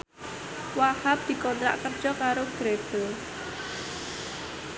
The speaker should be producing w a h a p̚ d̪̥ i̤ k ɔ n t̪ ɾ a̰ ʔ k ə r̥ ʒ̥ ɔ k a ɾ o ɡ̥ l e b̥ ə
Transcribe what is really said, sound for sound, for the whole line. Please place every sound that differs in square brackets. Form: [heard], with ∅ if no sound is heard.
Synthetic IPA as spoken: w a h a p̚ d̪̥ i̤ k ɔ n t̪ ɾ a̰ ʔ k ə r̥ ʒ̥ ɔ k a ɾ o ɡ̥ [ɾ] e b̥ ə